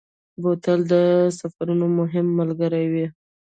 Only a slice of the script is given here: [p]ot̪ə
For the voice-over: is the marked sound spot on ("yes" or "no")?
no